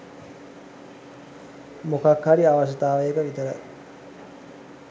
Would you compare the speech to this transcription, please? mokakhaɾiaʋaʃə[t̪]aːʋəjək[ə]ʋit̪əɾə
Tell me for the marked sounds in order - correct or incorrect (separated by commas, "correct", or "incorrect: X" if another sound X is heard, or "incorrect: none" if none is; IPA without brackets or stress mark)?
correct, correct